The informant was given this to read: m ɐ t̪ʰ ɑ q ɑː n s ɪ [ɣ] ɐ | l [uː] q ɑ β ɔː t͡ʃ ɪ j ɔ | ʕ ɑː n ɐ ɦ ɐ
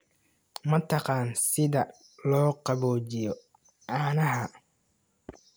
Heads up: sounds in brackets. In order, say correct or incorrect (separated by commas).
incorrect, incorrect